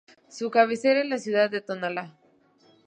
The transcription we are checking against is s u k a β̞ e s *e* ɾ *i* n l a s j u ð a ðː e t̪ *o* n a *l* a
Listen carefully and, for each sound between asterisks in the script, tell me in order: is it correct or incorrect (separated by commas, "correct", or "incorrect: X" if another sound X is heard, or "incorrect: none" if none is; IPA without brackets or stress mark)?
correct, incorrect: e, correct, correct